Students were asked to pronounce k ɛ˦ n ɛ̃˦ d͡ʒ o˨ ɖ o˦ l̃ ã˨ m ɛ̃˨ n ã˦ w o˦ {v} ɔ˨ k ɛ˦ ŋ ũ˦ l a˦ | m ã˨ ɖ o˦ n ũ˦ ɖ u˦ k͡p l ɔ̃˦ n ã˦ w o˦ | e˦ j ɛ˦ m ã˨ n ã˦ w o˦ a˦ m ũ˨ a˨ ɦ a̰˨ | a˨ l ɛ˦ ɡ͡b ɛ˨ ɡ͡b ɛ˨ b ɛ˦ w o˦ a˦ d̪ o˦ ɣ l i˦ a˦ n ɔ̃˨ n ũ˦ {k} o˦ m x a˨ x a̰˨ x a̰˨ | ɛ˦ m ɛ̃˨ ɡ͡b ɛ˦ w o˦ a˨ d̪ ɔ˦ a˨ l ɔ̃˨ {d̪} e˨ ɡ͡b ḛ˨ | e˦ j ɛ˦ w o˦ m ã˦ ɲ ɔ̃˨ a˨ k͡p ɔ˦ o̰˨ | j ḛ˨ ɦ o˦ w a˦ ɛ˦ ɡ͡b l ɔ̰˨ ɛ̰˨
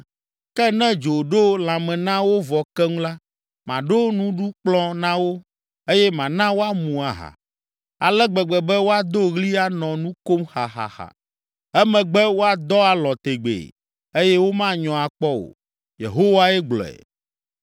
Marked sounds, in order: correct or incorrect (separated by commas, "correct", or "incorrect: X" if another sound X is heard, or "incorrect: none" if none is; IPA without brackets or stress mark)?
correct, correct, incorrect: t̪